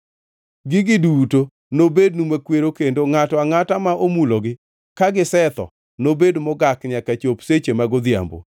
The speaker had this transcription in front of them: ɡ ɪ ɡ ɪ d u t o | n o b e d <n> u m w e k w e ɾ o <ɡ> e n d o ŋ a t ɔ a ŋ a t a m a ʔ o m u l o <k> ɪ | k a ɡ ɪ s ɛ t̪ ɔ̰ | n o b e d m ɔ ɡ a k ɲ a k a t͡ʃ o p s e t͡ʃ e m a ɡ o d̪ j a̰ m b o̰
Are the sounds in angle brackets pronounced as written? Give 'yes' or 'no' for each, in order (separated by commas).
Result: yes, no, no